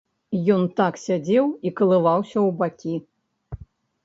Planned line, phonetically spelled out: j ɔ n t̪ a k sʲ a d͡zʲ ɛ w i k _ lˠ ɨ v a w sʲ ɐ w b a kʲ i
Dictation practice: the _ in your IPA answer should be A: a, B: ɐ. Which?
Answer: B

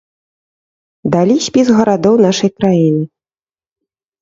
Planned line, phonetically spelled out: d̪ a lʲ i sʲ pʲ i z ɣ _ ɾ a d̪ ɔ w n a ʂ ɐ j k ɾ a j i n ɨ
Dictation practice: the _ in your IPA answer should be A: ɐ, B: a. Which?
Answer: A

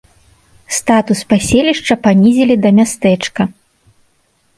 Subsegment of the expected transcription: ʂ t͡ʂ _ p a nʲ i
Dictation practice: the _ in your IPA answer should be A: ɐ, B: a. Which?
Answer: A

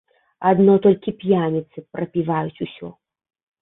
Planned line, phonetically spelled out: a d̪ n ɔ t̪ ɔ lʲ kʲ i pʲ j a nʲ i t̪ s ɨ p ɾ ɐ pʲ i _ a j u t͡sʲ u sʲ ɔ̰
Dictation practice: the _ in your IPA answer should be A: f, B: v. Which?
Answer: B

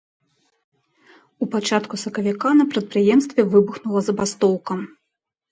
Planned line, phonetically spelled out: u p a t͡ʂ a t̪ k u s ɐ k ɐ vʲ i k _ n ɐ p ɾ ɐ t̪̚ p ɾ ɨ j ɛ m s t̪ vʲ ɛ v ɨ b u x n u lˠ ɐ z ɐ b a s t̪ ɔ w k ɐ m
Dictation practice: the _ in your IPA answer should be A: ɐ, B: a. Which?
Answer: B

